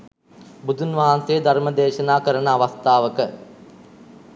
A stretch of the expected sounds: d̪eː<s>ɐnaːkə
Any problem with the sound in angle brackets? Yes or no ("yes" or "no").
yes